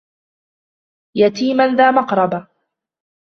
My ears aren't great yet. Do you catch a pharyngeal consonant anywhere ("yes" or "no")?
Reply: no